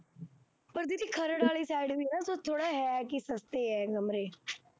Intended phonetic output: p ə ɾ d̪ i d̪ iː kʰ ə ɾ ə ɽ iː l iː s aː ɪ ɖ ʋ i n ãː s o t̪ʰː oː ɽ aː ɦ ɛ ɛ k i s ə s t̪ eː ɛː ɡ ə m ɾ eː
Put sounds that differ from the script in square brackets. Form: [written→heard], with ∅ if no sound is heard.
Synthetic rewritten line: p ə ɾ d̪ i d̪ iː kʰ ə ɾ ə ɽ [iː→aː] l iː s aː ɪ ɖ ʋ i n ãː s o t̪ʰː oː ɽ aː ɦ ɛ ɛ k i s ə s t̪ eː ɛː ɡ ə m ɾ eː